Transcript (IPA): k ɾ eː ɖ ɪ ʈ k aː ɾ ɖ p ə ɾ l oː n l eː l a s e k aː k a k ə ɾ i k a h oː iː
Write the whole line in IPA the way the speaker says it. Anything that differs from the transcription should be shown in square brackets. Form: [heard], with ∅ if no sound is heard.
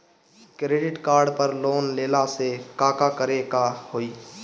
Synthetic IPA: k ɾ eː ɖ ɪ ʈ k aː ɾ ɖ p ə ɾ l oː n l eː l a s e k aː k a k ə ɾ [e] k a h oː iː